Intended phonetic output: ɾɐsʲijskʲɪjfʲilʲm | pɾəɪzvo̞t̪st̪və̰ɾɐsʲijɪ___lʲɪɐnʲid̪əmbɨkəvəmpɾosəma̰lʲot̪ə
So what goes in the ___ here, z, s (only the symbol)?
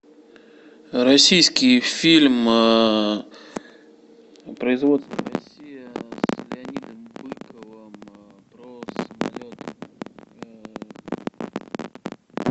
s